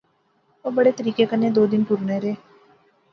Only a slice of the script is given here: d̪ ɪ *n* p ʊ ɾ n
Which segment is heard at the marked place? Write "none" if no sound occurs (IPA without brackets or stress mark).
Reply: n